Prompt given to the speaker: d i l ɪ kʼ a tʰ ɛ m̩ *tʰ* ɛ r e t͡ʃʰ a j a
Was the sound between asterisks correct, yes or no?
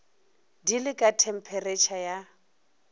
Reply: no